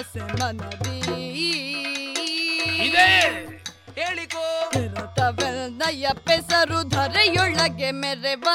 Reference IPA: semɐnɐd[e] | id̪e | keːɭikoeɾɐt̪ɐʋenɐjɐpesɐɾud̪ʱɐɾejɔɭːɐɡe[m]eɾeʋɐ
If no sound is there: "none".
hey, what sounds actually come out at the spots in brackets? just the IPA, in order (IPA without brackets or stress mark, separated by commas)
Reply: i, m